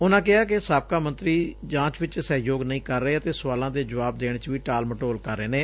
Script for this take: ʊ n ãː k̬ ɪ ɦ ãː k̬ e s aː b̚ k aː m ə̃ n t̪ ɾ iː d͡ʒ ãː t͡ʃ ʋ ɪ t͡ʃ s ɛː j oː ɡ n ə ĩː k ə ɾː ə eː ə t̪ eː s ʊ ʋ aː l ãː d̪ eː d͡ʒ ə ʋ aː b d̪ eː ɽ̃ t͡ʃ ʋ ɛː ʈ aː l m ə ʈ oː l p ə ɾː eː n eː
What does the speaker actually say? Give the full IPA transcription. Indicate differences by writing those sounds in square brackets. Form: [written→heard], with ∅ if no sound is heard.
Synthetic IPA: ʊ n ãː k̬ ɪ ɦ [ãː→aː] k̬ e s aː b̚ k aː m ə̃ n t̪ ɾ iː d͡ʒ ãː t͡ʃ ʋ ɪ t͡ʃ s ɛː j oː ɡ n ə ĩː k ə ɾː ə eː ə t̪ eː s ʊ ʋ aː l ãː d̪ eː d͡ʒ ə ʋ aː b d̪ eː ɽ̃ t͡ʃ ʋ [ɛː→iː] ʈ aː l m ə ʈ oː l [p→k] ə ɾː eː n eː